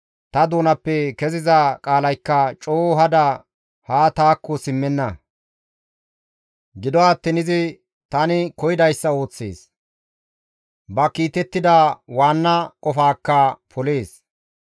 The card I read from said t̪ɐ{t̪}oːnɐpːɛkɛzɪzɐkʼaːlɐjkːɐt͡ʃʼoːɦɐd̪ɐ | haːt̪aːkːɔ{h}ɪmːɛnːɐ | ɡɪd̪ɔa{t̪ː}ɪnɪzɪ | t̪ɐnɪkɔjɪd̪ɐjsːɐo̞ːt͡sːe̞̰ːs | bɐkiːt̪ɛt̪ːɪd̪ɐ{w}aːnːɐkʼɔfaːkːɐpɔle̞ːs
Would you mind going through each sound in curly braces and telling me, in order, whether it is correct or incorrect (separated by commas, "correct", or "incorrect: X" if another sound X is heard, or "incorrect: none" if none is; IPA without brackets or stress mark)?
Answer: incorrect: d̪, incorrect: s, correct, correct